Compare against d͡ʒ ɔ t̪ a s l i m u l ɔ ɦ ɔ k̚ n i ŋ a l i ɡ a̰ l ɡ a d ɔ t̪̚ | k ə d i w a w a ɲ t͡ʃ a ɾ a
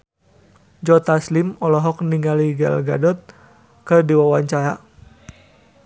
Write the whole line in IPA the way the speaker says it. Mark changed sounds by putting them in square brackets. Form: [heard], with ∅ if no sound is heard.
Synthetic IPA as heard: d͡ʒ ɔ t̪ a s l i m [ɔ] l ɔ ɦ ɔ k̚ n i ŋ a l i ɡ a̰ l ɡ a d ɔ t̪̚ | k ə d i w a w a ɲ t͡ʃ a ɾ a